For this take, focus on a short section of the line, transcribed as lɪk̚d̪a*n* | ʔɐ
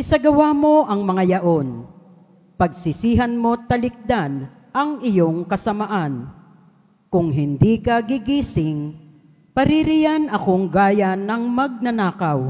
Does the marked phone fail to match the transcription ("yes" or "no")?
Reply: no